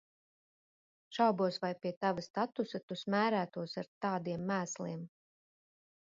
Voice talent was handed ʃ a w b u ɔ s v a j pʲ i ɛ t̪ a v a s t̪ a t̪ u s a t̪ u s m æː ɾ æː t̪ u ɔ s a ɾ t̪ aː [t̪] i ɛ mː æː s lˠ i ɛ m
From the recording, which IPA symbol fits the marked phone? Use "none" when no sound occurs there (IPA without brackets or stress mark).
d̪